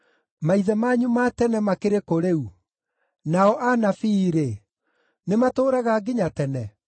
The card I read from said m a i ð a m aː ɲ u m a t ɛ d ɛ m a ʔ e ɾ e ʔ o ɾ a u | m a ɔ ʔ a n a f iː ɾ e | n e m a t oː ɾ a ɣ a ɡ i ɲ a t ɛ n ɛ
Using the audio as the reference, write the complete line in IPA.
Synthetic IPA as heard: m a i ð ɛ m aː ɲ u m a t ɛ n ɛ m a k e ɾ e k o ɾ e u | n a ɔ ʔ a n a f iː ɾ e | n e m a t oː ɾ a ɣ a ɡ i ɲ a t ɛ n ɛ